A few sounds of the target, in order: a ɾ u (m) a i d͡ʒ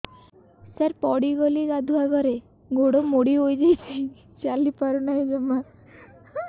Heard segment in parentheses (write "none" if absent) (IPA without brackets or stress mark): n